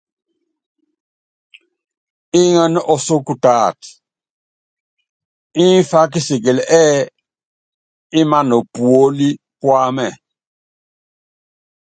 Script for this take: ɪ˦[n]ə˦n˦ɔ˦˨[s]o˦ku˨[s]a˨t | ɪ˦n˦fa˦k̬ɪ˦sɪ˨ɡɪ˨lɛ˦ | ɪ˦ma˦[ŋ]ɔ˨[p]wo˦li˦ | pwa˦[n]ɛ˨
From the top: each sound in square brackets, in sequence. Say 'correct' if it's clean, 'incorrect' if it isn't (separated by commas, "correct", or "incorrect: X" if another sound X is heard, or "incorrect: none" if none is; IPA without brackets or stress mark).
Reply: incorrect: ŋ, correct, incorrect: t, incorrect: n, correct, incorrect: m